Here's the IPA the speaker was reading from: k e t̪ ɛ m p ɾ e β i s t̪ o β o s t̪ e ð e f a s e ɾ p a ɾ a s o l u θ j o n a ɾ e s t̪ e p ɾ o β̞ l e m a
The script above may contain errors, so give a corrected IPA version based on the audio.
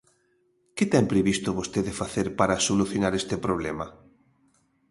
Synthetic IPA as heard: k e t̪ ɛ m p ɾ e β i s t̪ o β o s t̪ e ð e f a θ e ɾ p a ɾ a s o l u θ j o n a ɾ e s t̪ e p ɾ o β̞ l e m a